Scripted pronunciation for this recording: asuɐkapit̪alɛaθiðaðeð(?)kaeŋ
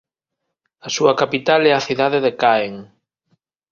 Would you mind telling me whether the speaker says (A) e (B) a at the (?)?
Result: A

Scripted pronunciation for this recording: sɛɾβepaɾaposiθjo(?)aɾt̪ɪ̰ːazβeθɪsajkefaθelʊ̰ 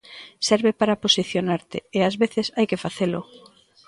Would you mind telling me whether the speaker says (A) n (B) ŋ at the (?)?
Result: A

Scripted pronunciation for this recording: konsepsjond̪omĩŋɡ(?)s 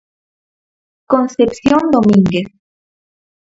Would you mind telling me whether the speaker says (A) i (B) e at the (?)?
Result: B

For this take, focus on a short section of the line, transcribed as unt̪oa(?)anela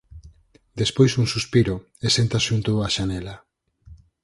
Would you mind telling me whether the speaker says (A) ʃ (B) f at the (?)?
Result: A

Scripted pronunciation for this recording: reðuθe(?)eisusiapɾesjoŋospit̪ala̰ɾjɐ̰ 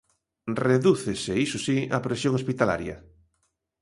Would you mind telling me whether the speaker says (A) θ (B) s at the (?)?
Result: B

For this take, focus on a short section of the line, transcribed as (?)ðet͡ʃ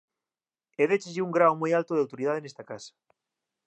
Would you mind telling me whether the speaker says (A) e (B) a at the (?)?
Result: A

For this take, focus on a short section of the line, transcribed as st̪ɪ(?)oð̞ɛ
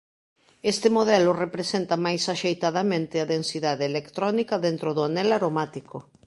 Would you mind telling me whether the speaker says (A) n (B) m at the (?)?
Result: B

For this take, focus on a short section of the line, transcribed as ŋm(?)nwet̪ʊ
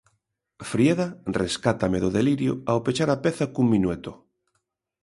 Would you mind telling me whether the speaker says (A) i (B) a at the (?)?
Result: A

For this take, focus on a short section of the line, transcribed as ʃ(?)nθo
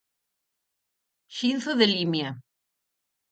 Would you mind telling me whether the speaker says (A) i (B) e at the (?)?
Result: A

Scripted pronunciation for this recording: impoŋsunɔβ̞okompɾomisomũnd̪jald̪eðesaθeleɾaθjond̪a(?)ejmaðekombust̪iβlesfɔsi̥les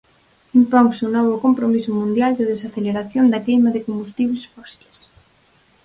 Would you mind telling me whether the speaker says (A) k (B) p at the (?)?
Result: A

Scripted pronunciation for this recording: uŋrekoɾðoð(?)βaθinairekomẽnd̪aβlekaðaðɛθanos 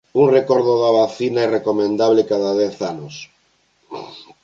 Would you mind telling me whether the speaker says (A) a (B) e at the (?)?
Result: A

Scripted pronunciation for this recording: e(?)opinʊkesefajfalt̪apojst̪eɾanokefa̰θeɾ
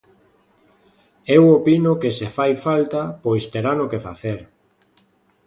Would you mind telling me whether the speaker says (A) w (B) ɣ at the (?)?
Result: A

